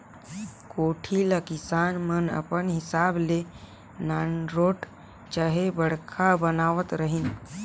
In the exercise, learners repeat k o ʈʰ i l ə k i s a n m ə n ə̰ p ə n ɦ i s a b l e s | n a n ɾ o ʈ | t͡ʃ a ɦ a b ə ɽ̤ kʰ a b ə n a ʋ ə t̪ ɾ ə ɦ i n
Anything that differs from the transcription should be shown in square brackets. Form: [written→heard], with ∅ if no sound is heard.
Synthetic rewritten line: k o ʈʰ i l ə k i s a n m ə n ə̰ p ə n ɦ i s a b l e [s→∅] | n a n ɾ o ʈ | t͡ʃ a ɦ [a→e] b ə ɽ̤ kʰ a b ə n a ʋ ə t̪ ɾ ə ɦ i n